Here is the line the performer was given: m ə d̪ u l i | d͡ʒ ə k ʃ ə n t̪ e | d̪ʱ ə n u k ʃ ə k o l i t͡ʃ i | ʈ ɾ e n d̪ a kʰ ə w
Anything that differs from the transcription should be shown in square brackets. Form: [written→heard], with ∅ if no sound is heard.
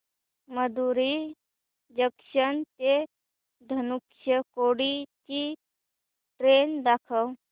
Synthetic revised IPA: m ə d̪ u [l→ɾ] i | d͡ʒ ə k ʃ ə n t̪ e | d̪ʱ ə n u k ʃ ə k o [l→ɽ] i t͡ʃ i | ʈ ɾ e n d̪ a kʰ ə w